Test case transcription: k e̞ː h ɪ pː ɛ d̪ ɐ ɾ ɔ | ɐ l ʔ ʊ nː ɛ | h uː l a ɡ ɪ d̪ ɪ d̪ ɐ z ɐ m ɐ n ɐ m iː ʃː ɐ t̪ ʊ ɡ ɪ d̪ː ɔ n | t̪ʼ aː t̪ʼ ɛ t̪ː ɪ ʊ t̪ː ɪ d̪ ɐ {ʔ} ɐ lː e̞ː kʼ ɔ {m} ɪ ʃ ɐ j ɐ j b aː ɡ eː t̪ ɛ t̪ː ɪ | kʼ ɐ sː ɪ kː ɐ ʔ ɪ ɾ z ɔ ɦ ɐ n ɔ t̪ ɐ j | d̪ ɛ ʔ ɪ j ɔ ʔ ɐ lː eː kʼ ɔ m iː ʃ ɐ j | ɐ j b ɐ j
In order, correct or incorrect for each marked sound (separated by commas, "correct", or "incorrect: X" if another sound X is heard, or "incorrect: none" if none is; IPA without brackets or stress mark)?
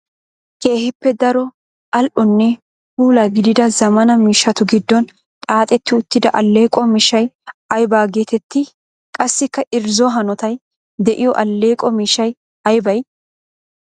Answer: correct, correct